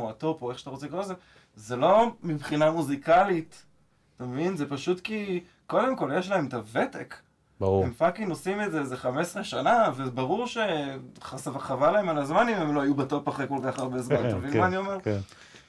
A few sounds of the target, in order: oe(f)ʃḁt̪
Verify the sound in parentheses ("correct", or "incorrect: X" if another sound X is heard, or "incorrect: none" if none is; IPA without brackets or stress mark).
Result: incorrect: χ